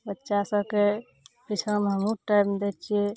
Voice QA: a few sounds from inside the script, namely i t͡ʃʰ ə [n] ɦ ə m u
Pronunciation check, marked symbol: incorrect: m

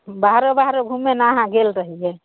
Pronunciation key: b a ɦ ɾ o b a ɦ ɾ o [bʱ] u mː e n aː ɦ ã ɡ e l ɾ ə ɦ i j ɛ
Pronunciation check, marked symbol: incorrect: ɡʱ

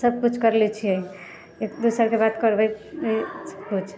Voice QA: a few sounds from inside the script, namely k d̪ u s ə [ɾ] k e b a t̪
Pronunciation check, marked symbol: correct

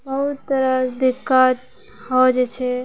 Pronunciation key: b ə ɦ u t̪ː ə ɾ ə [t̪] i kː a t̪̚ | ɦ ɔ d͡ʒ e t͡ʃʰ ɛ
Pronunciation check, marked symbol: incorrect: d̪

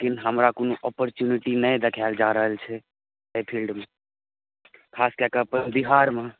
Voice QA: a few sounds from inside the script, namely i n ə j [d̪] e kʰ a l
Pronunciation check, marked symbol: correct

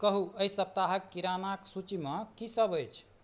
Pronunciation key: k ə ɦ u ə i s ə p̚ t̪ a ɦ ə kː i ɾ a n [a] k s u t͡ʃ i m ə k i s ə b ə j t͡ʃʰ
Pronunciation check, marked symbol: correct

